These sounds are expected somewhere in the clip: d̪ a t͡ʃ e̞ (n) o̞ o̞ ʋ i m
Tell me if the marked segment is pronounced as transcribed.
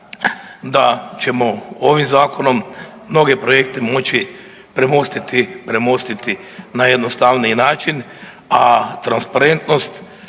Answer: no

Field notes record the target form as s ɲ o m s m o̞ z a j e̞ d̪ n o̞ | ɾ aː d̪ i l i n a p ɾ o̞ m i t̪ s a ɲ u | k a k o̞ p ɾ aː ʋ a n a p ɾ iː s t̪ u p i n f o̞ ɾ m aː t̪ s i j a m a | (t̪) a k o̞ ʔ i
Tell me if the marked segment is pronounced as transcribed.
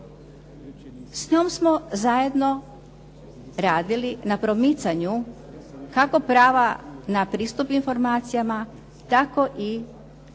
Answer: yes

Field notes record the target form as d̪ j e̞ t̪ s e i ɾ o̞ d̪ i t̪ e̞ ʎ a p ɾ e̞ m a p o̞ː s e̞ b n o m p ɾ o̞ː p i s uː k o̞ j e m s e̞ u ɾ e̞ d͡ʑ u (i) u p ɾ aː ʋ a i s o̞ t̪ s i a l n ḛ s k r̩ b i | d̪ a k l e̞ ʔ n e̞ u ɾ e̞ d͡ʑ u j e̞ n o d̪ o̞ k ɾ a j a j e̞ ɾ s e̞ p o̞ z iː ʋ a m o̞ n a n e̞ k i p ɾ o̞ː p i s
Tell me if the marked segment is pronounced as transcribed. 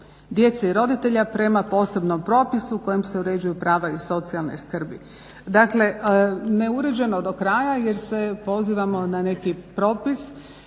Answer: no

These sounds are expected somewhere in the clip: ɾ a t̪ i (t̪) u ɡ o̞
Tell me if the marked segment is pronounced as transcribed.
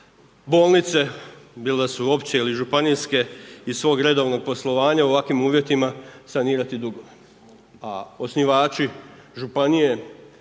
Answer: no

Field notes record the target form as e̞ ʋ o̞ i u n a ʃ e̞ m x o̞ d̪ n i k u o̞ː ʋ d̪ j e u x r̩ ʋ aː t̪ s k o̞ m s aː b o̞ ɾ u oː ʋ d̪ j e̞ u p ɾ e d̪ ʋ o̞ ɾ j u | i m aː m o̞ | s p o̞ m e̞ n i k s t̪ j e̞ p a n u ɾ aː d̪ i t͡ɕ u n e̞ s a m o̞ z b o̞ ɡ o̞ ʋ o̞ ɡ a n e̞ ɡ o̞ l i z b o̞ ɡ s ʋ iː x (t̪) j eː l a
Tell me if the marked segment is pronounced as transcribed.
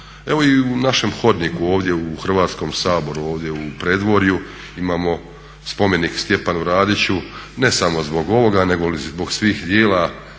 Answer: no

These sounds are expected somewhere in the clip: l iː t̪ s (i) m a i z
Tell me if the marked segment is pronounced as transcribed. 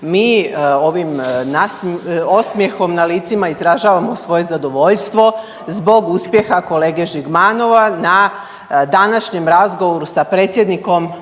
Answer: yes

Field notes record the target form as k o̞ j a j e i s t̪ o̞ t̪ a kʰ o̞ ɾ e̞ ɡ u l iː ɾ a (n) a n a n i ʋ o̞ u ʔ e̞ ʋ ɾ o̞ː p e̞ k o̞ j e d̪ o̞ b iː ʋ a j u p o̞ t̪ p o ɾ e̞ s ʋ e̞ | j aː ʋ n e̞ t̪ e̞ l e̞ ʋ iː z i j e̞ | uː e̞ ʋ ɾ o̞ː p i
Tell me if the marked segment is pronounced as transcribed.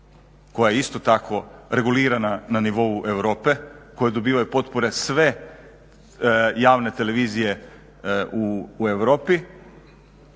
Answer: yes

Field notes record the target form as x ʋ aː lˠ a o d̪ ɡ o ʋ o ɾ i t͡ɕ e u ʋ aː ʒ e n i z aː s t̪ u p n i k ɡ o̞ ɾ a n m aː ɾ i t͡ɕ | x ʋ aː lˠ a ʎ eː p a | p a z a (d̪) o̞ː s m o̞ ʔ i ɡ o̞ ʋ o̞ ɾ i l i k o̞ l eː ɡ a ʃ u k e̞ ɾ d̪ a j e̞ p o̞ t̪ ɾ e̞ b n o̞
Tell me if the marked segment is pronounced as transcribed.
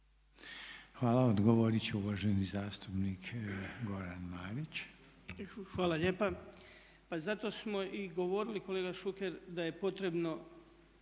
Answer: no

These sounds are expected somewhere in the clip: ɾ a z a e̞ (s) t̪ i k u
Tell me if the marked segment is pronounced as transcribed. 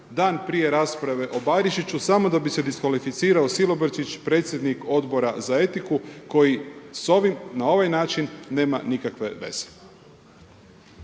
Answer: no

